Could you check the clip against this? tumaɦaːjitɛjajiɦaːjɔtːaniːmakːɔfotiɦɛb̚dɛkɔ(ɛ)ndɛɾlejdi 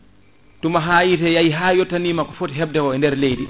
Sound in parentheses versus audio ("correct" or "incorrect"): correct